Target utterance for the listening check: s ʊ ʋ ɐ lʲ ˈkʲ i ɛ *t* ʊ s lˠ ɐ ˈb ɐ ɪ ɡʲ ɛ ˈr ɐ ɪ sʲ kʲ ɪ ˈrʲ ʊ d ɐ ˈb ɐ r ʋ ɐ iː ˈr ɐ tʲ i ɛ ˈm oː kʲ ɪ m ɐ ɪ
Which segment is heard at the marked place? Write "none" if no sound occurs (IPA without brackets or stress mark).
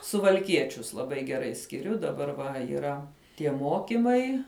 t͡ʃʲ